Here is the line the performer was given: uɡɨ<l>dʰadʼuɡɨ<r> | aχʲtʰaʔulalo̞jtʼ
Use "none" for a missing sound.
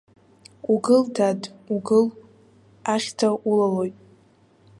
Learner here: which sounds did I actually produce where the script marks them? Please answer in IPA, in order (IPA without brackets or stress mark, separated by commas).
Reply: l, l